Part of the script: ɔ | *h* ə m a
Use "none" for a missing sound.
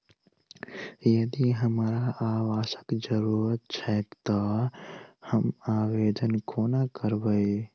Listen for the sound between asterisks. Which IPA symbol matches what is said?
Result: h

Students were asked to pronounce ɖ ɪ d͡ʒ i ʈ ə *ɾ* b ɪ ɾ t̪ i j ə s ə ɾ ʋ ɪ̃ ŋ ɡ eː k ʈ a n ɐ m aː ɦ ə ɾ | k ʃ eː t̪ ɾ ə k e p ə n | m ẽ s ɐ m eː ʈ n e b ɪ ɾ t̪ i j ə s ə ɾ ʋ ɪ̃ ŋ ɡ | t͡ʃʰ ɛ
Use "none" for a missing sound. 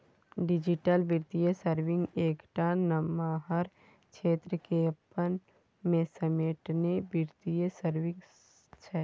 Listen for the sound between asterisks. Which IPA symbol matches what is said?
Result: l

